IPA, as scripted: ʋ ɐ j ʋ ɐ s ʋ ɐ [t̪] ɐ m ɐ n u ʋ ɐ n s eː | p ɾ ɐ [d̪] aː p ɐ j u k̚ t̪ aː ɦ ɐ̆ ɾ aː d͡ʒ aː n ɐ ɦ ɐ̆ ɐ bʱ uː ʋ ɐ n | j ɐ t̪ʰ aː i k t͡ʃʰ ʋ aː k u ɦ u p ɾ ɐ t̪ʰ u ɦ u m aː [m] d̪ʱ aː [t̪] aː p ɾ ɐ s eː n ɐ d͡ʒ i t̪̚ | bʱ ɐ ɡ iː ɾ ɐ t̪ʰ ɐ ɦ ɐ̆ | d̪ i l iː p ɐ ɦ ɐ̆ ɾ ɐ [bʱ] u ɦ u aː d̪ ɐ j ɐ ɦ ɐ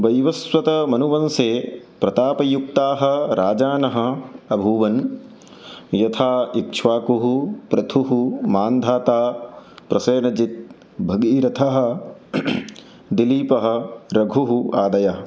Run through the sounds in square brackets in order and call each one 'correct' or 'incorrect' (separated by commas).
correct, incorrect, incorrect, correct, incorrect